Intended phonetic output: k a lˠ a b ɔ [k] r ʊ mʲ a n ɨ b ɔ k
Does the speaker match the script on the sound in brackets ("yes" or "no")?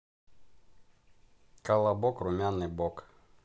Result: yes